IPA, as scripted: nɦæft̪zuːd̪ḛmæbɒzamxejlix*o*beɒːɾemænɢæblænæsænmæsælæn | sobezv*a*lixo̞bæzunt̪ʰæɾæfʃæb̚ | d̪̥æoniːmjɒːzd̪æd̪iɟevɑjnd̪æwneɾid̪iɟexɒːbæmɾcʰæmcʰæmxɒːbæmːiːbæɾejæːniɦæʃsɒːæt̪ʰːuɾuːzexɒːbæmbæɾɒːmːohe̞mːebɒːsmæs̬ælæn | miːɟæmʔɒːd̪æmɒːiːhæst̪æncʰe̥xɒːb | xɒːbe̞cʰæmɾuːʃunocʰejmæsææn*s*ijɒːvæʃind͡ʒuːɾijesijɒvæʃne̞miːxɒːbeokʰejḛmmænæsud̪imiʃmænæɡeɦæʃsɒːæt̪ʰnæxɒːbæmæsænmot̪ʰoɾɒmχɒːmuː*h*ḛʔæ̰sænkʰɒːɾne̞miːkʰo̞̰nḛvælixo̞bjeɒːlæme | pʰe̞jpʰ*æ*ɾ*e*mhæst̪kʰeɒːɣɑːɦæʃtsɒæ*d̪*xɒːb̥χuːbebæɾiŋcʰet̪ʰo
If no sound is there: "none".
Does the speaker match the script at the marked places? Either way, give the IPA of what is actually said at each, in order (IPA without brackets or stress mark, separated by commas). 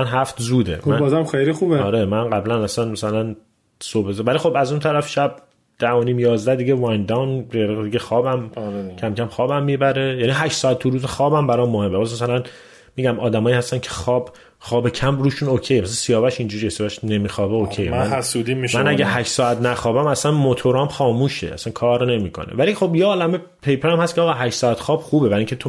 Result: u, æ, s, ʃ, e, æ, t̪